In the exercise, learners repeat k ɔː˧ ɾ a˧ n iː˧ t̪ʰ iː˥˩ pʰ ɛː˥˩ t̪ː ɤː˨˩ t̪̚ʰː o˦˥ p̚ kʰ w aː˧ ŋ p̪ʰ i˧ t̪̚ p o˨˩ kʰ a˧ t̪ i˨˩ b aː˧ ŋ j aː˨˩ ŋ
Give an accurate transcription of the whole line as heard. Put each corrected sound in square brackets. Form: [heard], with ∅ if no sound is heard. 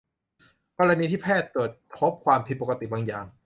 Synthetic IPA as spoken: k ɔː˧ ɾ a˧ n iː˧ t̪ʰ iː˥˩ pʰ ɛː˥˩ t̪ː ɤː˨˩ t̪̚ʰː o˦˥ p̚ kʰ w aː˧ [m] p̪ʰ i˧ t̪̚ p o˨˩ [k] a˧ t̪ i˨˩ b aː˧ ŋ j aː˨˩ ŋ